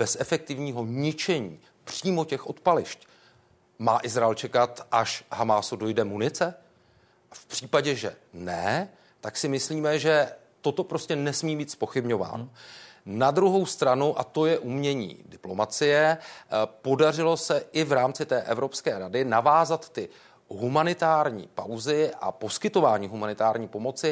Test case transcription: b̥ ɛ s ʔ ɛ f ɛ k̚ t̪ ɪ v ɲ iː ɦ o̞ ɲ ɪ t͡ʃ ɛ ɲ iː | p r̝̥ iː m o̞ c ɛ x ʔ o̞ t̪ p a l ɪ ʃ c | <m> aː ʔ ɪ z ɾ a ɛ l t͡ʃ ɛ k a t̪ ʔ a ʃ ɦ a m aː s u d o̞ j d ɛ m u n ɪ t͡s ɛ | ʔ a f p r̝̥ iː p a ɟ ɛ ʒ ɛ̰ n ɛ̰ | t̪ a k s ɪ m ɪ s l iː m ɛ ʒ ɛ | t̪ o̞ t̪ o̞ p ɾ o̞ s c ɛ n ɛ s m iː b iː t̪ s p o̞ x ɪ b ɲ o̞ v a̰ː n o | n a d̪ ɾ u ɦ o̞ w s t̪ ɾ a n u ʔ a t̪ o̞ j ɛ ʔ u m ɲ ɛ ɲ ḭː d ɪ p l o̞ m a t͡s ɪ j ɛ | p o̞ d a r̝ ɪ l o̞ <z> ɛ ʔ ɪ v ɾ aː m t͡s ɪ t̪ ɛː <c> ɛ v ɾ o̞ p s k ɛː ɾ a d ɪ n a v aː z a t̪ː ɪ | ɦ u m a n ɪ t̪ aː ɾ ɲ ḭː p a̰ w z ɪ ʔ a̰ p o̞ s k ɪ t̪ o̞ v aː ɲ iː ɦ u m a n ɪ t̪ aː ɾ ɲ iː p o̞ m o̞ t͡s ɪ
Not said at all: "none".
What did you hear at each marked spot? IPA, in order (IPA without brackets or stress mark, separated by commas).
m, s, ʔ